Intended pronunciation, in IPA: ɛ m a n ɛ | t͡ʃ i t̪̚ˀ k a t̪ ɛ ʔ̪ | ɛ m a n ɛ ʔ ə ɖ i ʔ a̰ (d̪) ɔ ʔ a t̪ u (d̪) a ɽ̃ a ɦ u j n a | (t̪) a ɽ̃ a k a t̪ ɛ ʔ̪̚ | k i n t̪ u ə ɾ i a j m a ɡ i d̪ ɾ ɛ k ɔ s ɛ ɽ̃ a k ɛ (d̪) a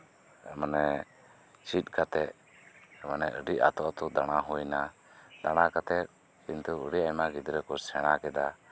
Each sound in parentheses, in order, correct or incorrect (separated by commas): incorrect, correct, incorrect, correct